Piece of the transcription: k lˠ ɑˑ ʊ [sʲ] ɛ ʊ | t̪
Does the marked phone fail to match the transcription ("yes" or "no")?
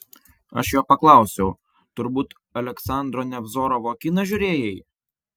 no